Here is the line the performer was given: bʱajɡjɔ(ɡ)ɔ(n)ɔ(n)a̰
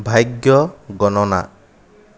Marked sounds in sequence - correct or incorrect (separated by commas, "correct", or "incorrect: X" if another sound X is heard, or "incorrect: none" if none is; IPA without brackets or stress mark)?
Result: correct, correct, correct